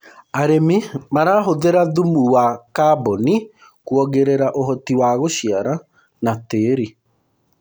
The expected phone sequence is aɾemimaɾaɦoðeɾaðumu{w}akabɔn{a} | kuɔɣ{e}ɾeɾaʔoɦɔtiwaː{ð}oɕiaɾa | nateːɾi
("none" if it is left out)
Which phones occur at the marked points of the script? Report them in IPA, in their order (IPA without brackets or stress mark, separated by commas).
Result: w, i, e, ɣ